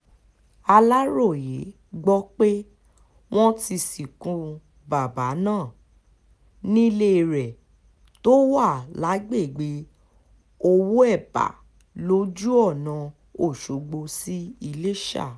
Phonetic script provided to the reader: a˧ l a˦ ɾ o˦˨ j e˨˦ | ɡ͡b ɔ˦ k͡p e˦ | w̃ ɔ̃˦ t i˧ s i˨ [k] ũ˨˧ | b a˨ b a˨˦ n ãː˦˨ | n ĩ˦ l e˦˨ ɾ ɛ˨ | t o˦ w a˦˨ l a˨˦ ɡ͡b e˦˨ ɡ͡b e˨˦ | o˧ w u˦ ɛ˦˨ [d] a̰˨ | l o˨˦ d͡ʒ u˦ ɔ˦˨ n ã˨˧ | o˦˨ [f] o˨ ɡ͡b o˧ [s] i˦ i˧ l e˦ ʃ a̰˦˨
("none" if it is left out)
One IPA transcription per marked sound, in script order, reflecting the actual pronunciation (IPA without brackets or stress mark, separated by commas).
k, b, ʃ, s